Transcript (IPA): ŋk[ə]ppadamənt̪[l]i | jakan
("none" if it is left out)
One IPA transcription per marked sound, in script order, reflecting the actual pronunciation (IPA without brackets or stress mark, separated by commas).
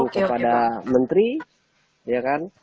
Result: ə, ɾ